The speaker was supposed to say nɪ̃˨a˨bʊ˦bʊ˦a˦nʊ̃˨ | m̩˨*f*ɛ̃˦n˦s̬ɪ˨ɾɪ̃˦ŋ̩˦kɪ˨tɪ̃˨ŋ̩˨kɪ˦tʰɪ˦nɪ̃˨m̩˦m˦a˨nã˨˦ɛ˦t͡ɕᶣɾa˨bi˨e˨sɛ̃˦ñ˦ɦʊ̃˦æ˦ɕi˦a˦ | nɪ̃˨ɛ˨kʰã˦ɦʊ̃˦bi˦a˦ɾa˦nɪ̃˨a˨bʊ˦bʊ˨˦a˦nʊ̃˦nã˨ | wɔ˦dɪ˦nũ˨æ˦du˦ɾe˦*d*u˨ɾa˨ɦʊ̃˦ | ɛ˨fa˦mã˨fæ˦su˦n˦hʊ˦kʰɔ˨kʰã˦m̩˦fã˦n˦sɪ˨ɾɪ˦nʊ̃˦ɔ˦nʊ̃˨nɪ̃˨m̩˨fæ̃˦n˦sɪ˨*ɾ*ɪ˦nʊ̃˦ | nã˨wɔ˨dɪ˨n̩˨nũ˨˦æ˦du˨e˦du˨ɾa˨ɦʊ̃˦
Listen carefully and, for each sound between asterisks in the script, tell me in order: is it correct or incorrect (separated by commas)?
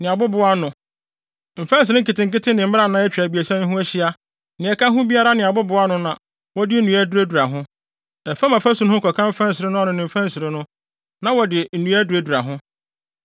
correct, correct, correct